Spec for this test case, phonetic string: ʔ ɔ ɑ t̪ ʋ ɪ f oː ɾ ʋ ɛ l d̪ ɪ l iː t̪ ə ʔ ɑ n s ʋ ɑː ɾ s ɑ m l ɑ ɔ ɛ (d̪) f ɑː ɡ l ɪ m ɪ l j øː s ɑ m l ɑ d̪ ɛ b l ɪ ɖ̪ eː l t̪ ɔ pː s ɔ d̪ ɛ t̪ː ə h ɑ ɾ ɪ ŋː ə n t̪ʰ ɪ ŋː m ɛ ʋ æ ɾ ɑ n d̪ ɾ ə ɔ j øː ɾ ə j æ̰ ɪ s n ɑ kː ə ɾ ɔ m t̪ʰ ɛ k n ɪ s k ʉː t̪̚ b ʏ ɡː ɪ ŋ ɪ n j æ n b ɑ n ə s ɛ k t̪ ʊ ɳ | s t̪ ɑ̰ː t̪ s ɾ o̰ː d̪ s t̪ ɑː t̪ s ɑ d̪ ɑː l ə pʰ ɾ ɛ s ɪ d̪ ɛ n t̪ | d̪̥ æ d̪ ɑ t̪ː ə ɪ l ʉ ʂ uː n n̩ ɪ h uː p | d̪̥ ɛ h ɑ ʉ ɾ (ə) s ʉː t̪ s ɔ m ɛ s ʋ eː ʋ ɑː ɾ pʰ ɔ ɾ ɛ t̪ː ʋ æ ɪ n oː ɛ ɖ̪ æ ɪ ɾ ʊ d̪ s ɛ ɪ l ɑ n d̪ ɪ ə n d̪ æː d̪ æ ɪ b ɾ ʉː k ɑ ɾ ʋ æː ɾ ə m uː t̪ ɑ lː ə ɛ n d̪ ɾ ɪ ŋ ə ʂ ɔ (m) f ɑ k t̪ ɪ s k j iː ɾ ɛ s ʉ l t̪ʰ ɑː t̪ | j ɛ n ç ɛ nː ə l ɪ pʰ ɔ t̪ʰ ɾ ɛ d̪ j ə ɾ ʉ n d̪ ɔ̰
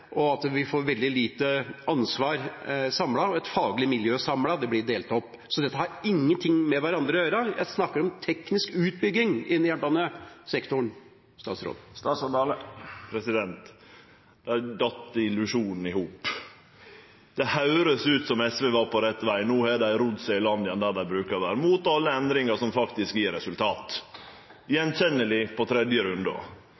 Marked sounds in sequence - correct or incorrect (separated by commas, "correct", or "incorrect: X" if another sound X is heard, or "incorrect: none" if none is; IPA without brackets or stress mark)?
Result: incorrect: t̪, correct, correct